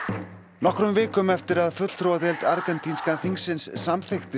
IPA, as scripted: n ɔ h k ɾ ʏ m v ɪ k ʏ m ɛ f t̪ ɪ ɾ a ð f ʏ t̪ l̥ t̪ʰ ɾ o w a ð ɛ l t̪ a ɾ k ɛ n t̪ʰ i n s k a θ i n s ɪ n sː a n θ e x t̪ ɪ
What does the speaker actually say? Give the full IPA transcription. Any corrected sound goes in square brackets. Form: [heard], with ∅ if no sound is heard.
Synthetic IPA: n ɔ h k ɾ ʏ m v [ɪː] k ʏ m ɛ f t̪ ɪ ɾ a ð f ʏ t̪ l̥ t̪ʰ ɾ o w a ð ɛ l t̪ a ɾ k ɛ n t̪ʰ i n s k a θ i [ŋ] s ɪ n sː a [m] θ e x t̪ ɪ